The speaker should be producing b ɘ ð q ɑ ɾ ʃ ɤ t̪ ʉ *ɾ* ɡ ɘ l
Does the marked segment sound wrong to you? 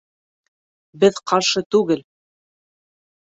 yes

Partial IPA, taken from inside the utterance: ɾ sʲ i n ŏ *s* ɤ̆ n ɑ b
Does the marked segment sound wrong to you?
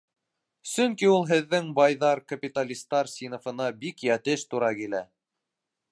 yes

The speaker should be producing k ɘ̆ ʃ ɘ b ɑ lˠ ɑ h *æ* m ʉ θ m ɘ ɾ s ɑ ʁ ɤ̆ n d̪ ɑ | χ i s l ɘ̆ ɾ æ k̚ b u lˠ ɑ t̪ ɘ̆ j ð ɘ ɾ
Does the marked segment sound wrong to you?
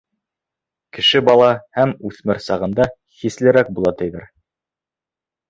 no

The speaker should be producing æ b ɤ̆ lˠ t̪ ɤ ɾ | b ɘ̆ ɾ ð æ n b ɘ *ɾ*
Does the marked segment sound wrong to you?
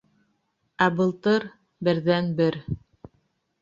no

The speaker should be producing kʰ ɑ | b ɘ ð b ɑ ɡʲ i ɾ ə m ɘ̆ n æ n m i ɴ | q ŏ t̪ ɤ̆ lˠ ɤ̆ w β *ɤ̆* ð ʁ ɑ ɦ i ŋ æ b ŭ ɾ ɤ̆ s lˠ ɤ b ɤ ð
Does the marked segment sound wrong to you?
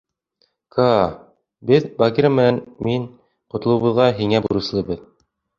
no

